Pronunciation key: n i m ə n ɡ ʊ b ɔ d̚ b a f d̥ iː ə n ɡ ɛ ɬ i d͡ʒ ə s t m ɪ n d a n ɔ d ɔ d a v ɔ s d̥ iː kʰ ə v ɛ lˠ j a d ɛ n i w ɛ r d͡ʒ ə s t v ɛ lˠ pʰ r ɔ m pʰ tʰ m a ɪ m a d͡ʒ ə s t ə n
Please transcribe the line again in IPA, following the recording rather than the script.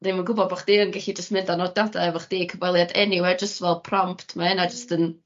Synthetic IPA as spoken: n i m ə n ɡ ʊ b ɔ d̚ b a χ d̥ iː ə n ɡ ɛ ɬ i d͡ʒ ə s t m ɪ n d a n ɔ d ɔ d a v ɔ χ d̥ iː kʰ ə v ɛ lˠ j a d ɛ n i w ɛ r d͡ʒ ə s t v ɛ lˠ pʰ r ɔ m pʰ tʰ m a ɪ n a d͡ʒ ə s t ə n